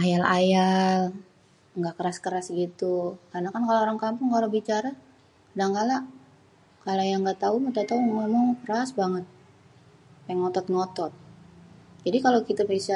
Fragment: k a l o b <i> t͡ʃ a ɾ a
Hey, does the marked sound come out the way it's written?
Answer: yes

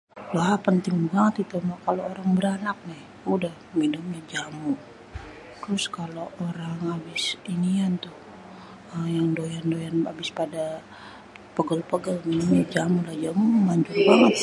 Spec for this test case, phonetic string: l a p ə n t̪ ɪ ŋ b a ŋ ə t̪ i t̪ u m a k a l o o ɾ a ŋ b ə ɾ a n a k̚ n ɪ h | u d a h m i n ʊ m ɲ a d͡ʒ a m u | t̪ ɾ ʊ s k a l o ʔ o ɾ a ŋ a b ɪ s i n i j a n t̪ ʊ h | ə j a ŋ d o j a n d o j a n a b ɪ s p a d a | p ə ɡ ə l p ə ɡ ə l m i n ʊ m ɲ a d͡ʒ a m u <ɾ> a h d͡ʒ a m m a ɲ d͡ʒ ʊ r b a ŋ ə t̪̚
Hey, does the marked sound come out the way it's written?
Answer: no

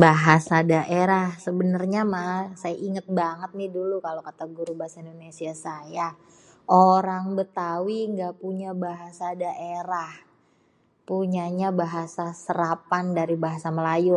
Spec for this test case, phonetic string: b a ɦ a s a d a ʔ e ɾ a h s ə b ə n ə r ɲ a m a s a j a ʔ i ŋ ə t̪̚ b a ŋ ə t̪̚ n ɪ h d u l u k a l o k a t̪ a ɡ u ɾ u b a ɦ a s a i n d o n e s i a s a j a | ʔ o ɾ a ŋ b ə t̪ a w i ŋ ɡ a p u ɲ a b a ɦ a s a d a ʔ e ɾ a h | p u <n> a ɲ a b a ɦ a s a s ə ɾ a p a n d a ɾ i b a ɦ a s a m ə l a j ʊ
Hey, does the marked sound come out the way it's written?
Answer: no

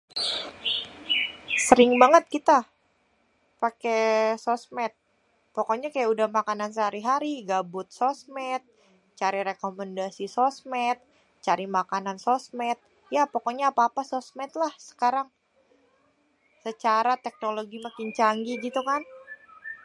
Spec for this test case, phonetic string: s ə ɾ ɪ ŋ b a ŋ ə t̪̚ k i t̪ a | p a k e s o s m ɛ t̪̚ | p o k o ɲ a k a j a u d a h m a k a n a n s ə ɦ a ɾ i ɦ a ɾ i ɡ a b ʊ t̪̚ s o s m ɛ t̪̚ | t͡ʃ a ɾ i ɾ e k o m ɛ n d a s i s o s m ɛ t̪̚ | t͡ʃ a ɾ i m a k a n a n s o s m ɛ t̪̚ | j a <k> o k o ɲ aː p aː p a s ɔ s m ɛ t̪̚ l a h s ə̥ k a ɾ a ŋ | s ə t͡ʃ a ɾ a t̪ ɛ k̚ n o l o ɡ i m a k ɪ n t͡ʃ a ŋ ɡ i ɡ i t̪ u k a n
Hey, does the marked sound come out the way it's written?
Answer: no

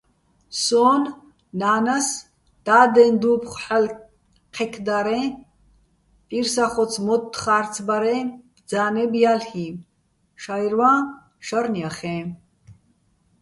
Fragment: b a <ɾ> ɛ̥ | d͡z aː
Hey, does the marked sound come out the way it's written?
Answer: yes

